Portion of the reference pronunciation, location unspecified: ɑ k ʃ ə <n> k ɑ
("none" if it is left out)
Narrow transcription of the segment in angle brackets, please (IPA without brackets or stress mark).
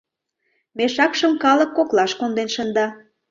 m